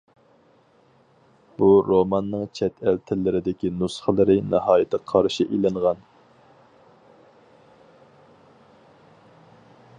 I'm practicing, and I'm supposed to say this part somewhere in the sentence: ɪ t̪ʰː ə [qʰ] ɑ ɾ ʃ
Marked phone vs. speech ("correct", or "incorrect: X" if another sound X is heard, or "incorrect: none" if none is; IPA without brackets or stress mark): correct